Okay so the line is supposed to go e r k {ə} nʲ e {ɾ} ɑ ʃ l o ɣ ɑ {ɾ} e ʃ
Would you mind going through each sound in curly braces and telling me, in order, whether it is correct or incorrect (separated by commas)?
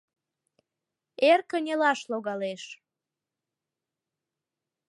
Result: correct, incorrect, incorrect